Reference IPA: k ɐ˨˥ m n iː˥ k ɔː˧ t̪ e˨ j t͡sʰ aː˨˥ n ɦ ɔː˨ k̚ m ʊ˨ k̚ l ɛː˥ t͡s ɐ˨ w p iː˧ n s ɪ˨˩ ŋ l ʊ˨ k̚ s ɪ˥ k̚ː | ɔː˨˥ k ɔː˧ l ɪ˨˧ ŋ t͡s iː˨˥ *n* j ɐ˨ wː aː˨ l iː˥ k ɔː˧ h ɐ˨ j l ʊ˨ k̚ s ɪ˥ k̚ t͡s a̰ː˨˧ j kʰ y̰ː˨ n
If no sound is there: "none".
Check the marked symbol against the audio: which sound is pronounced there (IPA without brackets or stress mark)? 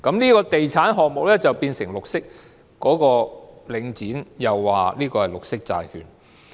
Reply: n